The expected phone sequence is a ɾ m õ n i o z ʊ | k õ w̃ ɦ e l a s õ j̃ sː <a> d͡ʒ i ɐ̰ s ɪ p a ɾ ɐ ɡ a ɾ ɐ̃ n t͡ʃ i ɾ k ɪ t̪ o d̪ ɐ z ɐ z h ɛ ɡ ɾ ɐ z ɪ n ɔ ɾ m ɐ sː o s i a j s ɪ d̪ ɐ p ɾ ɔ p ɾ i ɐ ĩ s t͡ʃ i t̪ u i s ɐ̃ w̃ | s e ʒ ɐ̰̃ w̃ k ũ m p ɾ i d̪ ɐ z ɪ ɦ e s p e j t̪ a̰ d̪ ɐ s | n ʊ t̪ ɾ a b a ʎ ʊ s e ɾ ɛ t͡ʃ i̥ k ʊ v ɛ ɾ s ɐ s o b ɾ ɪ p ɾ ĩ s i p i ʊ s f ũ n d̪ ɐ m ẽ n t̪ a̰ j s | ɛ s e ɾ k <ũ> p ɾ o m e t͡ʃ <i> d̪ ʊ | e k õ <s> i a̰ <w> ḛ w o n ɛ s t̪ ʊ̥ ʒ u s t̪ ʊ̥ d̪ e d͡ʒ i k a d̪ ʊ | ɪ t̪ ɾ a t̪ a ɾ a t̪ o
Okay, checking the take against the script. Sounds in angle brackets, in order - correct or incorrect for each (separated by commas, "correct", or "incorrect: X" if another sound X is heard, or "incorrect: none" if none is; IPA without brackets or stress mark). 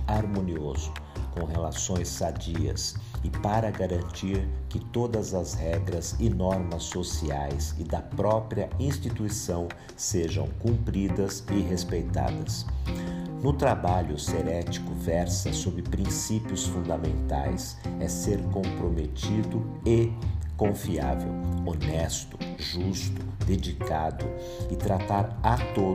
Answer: correct, incorrect: õ, correct, incorrect: f, incorrect: v